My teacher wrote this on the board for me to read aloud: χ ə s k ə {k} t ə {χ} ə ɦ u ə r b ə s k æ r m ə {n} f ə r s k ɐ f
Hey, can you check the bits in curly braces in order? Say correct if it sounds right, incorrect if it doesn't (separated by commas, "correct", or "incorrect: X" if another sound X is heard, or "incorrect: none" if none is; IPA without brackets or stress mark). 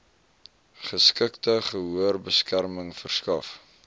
correct, correct, incorrect: ŋ